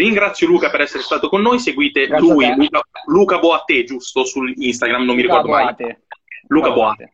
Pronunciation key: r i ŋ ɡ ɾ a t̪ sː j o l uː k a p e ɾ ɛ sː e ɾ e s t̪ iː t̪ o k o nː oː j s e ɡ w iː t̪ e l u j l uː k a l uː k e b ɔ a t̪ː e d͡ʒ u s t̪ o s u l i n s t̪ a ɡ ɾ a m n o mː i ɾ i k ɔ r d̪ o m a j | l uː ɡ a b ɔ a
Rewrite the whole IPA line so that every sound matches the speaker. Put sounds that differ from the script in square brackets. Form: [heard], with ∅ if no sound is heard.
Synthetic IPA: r i ŋ ɡ ɾ a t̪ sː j o l uː k a p e ɾ ɛ sː e ɾ e s t̪ [aː] t̪ o k o nː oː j s e ɡ w iː t̪ e l u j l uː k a l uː k [a] b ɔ a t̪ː e d͡ʒ u s t̪ o s u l i n s t̪ a ɡ ɾ a m n o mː i ɾ i k ɔ r d̪ o m a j | l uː [k] a b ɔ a